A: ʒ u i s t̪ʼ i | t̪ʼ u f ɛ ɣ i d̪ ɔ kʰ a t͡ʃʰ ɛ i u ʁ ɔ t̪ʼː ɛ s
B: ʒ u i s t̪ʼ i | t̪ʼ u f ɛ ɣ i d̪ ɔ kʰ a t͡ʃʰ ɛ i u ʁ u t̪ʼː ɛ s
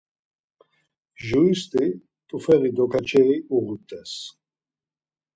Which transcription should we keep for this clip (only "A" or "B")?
B